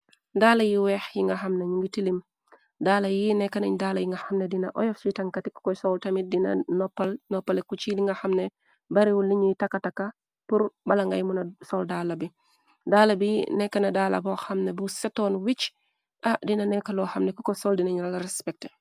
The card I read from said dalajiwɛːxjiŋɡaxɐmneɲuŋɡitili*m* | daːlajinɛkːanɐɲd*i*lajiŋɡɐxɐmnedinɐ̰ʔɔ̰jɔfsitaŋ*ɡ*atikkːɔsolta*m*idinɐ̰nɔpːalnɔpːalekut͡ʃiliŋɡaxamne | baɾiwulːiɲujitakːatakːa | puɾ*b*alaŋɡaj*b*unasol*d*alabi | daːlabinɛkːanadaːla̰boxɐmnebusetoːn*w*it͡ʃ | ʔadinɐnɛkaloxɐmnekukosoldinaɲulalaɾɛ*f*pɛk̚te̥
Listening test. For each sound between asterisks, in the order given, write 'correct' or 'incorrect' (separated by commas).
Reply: correct, incorrect, incorrect, correct, correct, incorrect, correct, correct, incorrect